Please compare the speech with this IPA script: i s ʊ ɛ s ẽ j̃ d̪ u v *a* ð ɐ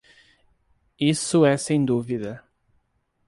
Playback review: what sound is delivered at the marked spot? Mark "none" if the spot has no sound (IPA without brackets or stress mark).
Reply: i